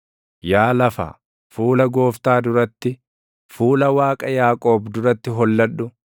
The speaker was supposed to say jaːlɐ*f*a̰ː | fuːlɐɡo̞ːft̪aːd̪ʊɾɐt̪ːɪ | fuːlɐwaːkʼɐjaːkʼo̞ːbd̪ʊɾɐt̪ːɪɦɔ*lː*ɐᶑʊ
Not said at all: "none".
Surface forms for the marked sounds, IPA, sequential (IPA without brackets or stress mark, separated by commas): f, lː